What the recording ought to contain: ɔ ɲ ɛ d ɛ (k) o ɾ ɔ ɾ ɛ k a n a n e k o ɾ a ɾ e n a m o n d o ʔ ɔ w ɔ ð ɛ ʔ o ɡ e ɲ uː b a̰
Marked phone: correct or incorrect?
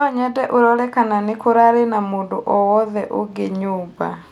incorrect